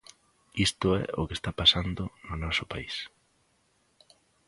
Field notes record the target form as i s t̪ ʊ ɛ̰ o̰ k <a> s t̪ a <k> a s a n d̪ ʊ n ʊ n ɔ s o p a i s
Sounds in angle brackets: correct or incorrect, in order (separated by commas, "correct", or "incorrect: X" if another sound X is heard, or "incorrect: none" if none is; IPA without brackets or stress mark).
incorrect: e, incorrect: p